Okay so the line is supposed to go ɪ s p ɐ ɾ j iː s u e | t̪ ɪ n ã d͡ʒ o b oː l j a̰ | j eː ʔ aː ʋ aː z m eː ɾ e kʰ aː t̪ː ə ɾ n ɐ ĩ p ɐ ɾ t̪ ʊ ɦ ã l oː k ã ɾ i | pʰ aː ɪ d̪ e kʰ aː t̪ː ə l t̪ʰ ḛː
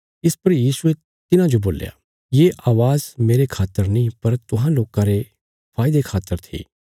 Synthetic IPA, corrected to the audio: ɪ s p ɐ ɾ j iː s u e | t̪ ɪ n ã d͡ʒ o b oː l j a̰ | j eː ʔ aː ʋ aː z m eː ɾ e kʰ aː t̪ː ə ɾ n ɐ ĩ p ɐ ɾ t̪ ʊ ɦ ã l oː k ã ɾ e | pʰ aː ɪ d̪ e kʰ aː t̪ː ə ɾ t̪ʰ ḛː

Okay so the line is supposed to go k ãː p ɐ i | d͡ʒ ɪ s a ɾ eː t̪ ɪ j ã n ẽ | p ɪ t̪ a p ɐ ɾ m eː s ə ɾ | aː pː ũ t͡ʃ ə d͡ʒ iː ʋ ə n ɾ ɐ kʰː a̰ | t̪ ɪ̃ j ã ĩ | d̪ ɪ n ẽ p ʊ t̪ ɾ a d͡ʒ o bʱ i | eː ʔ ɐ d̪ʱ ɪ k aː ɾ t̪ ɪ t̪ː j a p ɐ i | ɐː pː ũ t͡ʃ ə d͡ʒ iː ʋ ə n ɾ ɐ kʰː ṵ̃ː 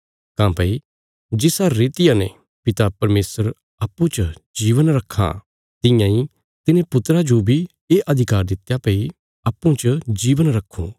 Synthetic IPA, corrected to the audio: k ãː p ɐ i | d͡ʒ ɪ s a ɾ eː t̪ ɪ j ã n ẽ | p ɪ t̪ a p ɐ ɾ m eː s ə ɾ | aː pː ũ t͡ʃ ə d͡ʒ iː ʋ ə n ɾ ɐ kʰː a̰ | t̪ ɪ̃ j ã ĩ | t̪ ɪ n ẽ p ʊ t̪ ɾ a d͡ʒ o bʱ i | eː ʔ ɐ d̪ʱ ɪ k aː ɾ d̪ ɪ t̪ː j a p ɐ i | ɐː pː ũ t͡ʃ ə d͡ʒ iː ʋ ə n ɾ ɐ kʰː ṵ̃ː

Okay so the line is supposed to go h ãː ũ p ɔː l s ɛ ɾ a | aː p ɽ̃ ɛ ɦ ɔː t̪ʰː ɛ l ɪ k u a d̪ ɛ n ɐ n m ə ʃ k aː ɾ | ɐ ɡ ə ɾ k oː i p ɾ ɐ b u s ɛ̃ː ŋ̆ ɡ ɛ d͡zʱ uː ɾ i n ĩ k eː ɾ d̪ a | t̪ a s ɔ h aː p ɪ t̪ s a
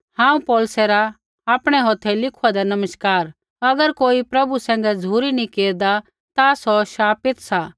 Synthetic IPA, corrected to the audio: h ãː ũ p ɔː l s ɛ ɾ a | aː p ɽ̃ ɛ ɦ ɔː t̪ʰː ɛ l ɪ kʰ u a d̪ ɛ n ɐ m ə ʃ k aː ɾ | ɐ ɡ ə ɾ k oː i p ɾ ɐ b u s ɛ̃ː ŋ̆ ɡ ɛ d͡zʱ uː ɾ i n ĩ k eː ɾ d̪ a | t̪ a s ɔ ʃ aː p ɪ t̪ s a

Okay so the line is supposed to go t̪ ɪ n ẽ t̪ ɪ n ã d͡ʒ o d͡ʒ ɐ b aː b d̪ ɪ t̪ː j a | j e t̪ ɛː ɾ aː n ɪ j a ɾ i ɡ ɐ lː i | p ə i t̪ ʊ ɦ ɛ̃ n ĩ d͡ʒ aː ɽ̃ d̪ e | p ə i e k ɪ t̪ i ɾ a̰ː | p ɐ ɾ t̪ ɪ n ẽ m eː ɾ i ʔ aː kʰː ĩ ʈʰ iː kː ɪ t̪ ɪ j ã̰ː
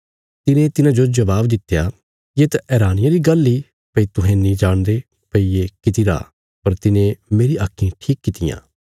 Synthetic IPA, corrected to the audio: t̪ ɪ n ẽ t̪ ɪ n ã d͡ʒ o d͡ʒ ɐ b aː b d̪ ɪ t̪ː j a | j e t̪ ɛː ɾ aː n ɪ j a ɾ i ɡ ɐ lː i | p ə i t̪ ʊ ɦ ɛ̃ n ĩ d͡ʒ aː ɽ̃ d̪ e | p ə i e k ɪ t̪ i ɾ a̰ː | p ɐ ɾ t̪ ɪ n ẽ m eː ɾ i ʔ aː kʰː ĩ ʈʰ iː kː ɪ t̪ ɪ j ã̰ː

